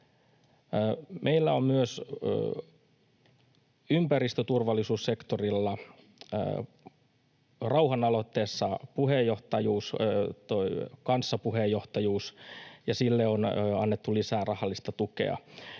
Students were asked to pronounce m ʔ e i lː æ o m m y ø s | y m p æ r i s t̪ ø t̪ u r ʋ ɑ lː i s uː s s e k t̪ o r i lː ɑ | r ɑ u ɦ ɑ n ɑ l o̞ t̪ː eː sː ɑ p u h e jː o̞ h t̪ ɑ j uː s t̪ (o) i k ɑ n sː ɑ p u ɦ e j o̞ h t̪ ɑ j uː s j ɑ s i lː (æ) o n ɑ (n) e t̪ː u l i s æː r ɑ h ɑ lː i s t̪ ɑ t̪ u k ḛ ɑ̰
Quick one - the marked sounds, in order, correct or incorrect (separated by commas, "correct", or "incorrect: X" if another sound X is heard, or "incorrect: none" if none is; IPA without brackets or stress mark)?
correct, incorrect: e, incorrect: nː